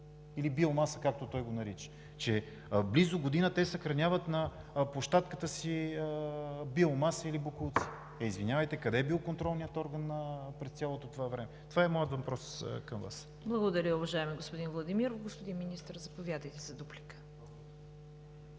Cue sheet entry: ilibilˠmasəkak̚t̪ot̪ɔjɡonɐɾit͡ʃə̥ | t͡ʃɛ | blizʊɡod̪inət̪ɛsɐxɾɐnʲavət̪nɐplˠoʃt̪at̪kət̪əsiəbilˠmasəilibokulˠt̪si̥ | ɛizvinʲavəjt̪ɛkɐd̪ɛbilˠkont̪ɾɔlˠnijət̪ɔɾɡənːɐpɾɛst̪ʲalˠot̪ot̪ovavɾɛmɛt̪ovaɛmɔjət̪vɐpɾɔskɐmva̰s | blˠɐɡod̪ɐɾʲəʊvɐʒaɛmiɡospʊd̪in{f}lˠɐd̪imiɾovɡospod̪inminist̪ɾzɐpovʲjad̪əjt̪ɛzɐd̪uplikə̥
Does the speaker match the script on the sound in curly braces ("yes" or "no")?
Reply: no